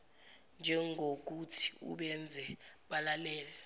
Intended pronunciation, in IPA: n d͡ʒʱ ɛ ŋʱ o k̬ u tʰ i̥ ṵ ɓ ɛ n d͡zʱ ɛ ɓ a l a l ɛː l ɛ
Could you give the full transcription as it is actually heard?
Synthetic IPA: n d͡ʒʱ ɛ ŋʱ o k̬ u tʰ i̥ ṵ ɓ ɛ n d͡zʱ ɛ ɓ a l a l ɛː l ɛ